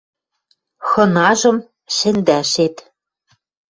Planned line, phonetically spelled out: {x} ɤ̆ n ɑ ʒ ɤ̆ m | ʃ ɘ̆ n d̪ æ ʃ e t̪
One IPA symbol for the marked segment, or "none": x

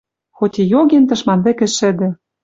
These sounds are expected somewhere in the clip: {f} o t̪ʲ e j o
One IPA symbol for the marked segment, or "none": x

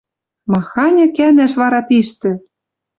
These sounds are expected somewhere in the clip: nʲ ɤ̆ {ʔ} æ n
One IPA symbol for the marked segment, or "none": k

